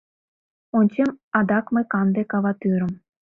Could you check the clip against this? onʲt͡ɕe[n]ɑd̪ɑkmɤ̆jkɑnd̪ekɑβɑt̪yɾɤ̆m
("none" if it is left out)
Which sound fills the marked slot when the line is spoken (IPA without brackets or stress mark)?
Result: m